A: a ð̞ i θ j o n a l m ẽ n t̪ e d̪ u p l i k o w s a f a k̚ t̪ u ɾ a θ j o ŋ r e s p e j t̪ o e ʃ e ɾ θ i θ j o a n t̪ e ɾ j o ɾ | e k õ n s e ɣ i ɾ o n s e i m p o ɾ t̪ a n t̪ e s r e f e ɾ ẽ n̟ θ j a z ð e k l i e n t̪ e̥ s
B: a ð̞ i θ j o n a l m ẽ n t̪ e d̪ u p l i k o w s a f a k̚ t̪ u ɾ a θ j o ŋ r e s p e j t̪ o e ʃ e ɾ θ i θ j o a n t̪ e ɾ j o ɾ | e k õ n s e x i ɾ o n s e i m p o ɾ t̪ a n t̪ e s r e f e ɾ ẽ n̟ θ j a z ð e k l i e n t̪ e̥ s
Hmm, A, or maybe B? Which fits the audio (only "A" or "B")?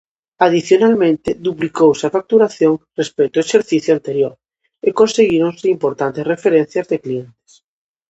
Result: A